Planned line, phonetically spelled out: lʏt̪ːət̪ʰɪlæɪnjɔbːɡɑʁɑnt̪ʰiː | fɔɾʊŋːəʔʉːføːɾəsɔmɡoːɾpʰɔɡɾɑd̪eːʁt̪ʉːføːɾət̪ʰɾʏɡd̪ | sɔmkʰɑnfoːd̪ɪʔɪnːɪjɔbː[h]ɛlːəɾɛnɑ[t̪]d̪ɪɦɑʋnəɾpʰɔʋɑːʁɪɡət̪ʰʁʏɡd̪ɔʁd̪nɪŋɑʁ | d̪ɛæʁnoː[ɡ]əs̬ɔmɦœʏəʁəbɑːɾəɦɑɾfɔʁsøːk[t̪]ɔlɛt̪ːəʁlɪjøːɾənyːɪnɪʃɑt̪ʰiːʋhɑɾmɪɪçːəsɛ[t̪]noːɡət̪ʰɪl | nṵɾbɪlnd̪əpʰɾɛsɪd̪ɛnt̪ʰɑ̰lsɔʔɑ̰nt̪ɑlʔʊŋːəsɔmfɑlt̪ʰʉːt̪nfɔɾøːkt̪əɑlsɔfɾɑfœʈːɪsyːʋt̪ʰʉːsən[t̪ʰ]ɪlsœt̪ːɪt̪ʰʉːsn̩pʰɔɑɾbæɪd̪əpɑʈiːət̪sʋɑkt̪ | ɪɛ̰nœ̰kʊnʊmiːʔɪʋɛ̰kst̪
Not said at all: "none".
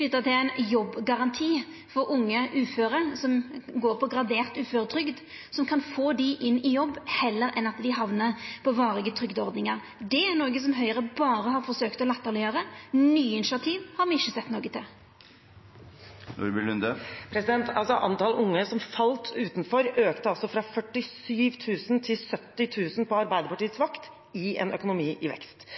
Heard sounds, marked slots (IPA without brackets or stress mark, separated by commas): h, t̪, ɡ, t̪, t̪, t̪ʰ